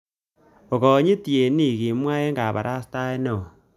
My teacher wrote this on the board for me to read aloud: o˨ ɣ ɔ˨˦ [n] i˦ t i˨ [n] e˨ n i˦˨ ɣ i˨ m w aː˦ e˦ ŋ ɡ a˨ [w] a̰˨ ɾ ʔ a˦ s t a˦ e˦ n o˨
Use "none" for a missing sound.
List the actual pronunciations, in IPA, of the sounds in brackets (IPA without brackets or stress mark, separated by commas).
ɲ, none, β